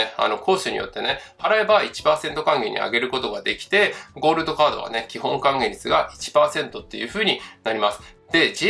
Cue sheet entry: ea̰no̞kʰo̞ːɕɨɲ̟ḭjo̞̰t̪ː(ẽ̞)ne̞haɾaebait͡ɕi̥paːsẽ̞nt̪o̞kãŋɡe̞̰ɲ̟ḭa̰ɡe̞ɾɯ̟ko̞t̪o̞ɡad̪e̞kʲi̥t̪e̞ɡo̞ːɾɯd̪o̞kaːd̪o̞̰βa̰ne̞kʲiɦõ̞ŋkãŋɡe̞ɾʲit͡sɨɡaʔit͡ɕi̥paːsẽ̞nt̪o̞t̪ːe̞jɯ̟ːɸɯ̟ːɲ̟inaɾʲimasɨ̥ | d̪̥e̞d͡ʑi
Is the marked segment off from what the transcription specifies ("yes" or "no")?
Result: yes